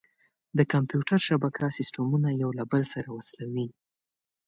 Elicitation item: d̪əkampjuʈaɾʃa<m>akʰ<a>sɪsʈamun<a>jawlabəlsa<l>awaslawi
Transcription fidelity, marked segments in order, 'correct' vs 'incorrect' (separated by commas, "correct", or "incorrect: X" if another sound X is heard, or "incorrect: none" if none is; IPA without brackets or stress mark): incorrect: b, correct, correct, incorrect: ɾ